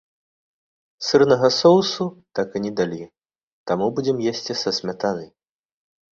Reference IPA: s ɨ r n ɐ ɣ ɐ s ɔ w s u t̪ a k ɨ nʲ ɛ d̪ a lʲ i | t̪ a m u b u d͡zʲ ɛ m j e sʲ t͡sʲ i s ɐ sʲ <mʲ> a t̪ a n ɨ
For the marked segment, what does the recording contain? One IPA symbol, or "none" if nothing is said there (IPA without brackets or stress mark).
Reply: mʲ